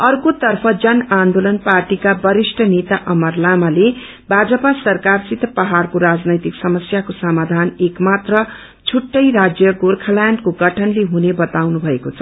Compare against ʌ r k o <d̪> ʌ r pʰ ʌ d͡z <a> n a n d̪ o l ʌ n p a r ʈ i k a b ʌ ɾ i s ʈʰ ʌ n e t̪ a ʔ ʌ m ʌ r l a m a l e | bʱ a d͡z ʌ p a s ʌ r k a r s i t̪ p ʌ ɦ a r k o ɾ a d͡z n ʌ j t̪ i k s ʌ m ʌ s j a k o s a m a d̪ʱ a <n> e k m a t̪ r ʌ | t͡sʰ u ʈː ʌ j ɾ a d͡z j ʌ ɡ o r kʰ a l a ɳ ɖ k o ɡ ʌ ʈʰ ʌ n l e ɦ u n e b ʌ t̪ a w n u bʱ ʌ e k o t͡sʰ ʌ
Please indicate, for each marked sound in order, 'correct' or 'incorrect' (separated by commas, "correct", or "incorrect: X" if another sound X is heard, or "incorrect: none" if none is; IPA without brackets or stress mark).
incorrect: t̪, incorrect: ʌ, correct